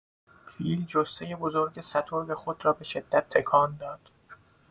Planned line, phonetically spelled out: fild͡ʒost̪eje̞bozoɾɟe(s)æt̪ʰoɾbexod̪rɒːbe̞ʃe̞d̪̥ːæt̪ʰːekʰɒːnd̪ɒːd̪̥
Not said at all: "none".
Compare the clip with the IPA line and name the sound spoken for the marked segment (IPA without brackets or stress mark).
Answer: s